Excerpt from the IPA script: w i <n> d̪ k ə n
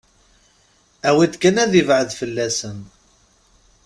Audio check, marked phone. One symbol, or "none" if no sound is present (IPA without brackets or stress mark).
none